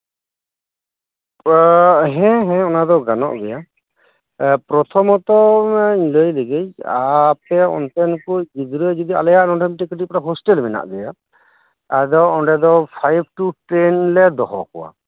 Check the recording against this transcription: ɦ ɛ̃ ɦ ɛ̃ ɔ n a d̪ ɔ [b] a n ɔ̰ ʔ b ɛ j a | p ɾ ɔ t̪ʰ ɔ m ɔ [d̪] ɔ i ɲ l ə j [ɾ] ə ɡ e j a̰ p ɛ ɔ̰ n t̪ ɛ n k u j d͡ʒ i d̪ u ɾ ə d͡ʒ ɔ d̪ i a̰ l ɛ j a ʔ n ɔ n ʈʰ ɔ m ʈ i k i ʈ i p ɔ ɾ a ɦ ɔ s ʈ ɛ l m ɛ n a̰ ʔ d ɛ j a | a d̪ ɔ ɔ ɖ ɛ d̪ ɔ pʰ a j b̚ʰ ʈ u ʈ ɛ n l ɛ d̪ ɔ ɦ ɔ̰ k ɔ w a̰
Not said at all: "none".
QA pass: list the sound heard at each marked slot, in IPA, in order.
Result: ɡ, t̪, l

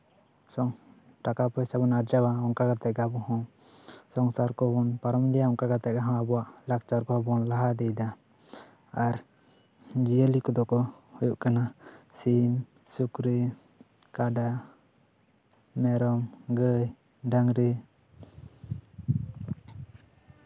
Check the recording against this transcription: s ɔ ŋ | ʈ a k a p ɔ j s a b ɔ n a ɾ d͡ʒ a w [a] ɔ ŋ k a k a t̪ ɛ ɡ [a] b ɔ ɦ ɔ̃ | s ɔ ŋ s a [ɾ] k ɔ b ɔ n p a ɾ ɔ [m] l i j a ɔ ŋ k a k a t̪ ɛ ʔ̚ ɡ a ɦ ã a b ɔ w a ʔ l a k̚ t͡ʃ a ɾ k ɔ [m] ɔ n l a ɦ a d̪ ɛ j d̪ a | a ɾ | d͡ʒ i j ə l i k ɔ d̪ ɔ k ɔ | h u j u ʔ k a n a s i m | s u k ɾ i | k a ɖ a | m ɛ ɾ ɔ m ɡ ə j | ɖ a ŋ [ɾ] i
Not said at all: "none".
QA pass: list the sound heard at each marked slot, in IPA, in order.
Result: a, a, ɾ, m, b, ɾ

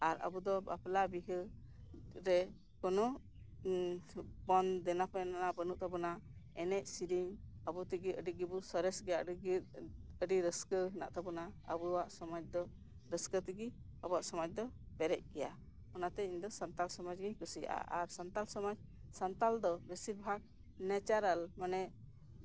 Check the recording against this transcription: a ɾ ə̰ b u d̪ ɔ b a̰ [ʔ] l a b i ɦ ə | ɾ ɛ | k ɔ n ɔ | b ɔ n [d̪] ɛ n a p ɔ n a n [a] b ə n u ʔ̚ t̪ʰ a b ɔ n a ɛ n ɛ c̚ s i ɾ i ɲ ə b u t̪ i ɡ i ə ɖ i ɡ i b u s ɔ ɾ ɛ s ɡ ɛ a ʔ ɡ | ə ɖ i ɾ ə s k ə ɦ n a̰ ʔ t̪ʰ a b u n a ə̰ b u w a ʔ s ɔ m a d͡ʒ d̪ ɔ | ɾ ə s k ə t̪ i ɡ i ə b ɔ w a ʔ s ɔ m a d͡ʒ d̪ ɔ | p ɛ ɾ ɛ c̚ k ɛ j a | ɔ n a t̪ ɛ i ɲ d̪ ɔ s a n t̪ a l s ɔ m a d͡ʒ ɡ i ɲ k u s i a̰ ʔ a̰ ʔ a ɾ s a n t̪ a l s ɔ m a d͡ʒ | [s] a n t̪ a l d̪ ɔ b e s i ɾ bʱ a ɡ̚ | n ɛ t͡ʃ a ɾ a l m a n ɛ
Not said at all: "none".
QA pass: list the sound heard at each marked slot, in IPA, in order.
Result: p, d̪, a, s

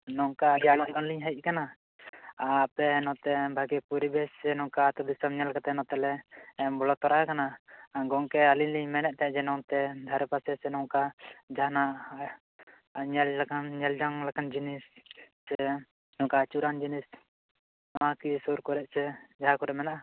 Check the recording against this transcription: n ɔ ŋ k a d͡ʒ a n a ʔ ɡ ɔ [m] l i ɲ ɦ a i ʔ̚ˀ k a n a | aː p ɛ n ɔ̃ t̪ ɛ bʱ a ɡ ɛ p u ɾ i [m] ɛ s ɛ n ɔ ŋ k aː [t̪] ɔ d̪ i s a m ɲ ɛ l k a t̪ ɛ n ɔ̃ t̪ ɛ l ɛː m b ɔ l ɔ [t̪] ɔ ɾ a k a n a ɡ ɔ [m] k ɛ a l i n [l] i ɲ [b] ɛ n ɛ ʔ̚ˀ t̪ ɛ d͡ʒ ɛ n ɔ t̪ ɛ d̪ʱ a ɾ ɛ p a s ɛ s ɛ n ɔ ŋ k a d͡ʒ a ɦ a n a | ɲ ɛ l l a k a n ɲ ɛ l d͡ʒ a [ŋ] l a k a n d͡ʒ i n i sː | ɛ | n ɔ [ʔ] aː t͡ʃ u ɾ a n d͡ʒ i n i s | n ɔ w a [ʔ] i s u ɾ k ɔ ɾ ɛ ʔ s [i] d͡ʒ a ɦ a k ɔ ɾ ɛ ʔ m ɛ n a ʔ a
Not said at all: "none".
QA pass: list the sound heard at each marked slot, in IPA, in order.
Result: n, b, t̪, t̪, ŋ, l, m, ŋ, k, k, ɛ

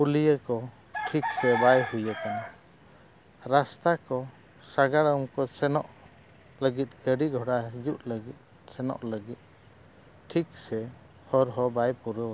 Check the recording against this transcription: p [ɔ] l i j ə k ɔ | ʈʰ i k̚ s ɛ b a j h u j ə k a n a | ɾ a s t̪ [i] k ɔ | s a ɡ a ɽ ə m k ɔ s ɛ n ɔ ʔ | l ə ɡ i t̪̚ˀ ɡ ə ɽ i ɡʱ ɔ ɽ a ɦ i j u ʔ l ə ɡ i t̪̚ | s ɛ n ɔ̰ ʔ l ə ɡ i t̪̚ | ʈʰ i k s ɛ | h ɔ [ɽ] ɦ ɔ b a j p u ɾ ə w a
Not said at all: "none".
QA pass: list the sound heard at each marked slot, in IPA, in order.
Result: u, a, ɾ

